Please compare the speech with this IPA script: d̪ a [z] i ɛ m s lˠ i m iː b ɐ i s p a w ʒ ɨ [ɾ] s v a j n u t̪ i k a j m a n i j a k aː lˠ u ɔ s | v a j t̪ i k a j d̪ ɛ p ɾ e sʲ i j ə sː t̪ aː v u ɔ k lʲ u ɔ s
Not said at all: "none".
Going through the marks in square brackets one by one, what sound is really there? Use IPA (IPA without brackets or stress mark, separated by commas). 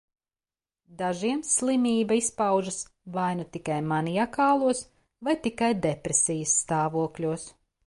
ʒ, none